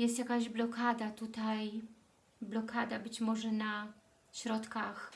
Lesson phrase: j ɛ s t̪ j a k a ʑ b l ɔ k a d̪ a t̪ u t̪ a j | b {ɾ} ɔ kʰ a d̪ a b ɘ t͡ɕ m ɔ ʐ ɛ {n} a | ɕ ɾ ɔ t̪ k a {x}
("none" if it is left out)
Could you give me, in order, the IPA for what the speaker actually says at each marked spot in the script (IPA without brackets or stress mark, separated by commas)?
l, n, x